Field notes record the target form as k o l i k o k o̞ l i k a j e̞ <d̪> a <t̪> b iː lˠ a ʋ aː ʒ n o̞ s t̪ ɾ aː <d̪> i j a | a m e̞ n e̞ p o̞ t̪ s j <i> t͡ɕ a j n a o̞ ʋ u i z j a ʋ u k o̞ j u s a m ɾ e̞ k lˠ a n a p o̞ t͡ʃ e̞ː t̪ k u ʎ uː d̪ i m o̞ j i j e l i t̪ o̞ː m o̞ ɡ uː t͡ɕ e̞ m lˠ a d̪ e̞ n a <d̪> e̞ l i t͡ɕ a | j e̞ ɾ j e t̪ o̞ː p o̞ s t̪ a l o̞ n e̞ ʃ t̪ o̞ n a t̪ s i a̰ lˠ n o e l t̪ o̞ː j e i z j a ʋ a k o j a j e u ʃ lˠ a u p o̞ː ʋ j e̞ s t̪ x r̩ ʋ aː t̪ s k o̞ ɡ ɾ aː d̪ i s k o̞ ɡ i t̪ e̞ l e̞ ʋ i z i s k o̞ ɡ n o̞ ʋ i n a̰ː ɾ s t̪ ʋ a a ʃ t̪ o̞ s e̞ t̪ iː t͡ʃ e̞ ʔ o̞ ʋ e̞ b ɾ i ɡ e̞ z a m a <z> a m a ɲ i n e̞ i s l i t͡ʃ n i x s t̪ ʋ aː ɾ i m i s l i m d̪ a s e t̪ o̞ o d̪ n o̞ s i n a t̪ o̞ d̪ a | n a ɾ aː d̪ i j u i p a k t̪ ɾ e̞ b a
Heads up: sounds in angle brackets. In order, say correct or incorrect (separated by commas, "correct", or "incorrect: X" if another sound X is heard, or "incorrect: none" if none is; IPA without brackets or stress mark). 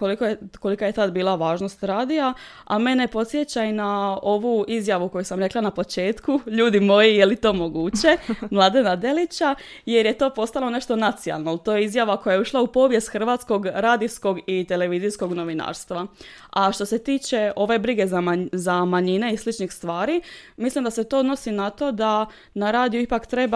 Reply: incorrect: t̪, incorrect: d̪, correct, incorrect: e, correct, correct